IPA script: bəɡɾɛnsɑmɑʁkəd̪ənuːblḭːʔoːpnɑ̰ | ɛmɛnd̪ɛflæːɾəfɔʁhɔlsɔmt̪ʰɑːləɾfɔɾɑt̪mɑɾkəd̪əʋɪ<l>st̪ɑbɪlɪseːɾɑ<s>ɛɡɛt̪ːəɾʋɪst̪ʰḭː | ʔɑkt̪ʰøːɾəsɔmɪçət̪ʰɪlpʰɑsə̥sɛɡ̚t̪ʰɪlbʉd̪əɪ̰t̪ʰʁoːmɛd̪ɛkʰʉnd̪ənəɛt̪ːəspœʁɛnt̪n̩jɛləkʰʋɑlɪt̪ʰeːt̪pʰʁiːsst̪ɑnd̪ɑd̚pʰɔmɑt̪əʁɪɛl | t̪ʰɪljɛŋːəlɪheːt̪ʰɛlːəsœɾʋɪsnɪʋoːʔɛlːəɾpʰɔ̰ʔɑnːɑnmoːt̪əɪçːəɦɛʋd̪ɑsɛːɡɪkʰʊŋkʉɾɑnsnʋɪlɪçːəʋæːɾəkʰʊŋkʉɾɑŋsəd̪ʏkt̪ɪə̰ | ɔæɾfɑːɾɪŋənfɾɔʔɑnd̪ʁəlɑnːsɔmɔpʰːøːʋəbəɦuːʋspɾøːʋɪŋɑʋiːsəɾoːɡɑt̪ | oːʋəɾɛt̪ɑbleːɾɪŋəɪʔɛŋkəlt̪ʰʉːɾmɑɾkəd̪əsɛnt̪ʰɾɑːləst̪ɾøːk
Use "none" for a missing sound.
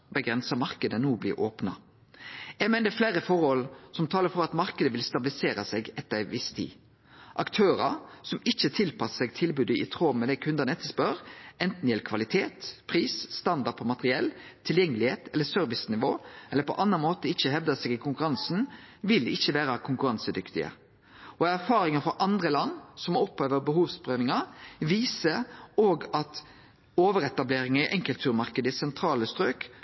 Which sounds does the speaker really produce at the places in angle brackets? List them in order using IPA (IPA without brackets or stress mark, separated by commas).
l, s